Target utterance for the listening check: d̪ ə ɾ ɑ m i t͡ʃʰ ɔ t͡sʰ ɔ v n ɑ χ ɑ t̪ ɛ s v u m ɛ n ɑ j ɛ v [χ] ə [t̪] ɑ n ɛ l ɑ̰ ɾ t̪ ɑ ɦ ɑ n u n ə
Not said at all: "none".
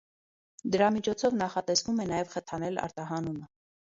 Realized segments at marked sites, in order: χ, t̪ʰ

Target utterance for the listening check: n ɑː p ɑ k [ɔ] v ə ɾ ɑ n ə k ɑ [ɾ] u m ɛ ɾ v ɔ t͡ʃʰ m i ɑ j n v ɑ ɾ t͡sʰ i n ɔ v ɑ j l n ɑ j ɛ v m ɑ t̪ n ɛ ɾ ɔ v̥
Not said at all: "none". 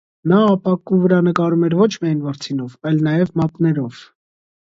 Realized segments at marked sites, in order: u, ɾ

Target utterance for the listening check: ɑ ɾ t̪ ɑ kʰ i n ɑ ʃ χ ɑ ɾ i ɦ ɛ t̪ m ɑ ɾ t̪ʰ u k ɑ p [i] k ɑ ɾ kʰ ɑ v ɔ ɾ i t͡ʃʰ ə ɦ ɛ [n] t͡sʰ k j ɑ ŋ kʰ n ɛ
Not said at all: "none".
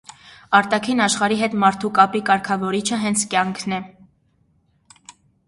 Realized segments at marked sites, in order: i, n

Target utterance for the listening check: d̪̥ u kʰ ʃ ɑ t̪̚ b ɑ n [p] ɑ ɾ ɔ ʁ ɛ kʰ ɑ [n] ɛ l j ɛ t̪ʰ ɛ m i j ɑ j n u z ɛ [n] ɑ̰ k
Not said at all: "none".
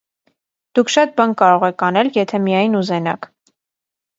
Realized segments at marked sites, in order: k, n, n

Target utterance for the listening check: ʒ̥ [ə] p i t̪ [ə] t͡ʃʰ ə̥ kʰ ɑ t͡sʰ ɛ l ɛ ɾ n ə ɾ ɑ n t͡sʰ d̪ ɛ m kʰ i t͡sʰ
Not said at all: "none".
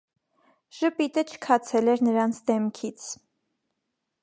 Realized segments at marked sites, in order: ə, ə

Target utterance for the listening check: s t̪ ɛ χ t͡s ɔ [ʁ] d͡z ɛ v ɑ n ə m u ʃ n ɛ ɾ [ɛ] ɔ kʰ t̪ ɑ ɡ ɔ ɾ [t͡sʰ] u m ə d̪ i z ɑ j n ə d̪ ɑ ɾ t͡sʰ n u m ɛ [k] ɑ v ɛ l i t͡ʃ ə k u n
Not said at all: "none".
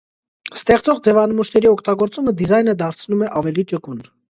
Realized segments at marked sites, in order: ʁ, i, t͡s, ʔ

